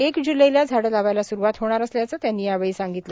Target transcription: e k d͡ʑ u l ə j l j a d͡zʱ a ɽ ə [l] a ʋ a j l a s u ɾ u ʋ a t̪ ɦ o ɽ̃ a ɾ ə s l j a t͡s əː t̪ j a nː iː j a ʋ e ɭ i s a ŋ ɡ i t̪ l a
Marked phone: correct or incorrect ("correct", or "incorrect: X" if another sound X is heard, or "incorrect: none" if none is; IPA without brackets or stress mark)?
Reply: correct